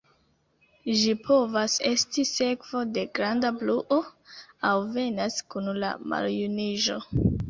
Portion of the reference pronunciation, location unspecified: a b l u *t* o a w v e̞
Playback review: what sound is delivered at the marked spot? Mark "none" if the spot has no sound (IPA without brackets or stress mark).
ʔ